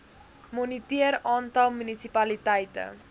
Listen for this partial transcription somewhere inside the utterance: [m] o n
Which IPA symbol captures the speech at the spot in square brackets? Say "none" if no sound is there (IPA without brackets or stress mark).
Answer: m